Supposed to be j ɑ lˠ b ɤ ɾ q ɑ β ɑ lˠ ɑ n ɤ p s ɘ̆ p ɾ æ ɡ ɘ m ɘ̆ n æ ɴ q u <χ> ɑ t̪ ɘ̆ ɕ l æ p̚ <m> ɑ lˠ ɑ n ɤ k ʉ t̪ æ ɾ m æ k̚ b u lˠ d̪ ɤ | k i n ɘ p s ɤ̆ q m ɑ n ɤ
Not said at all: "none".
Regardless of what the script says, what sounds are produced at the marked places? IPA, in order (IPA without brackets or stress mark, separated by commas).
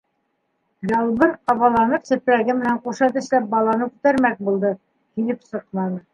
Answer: ʃ, b